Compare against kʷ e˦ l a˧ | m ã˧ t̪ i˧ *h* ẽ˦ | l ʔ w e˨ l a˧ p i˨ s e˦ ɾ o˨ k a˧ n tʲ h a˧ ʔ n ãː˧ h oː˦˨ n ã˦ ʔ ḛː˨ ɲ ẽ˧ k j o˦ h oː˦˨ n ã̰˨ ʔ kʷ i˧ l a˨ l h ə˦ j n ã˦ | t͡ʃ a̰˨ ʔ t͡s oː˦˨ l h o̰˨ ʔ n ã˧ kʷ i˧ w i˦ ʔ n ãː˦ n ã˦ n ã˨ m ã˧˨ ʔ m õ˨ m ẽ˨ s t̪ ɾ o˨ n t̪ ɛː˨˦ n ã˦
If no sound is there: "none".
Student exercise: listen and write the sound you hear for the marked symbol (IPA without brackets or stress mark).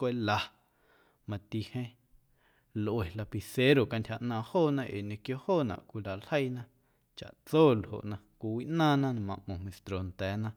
h